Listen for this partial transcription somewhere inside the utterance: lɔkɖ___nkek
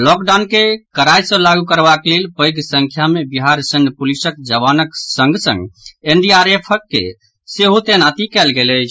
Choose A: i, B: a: B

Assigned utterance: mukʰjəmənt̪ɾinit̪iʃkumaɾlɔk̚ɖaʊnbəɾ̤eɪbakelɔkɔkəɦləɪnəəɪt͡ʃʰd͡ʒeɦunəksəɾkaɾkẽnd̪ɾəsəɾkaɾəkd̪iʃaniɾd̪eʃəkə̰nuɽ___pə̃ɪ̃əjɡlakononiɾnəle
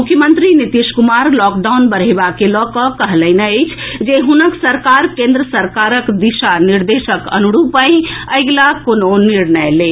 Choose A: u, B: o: A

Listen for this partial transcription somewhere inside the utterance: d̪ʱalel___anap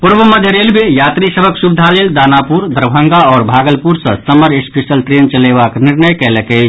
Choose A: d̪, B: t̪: A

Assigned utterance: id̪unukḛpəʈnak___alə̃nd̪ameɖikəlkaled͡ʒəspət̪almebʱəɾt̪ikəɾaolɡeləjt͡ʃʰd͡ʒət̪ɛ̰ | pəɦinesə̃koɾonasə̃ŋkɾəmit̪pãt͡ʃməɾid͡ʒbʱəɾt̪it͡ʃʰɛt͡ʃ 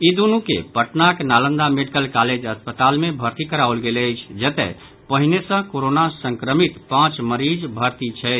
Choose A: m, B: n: B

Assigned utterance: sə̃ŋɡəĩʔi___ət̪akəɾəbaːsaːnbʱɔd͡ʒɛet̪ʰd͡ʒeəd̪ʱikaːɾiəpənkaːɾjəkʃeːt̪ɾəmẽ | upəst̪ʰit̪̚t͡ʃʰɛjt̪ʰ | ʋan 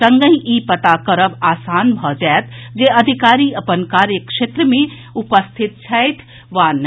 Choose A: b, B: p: B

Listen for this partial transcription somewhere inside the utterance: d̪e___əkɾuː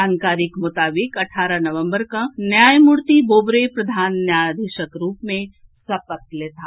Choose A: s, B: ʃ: B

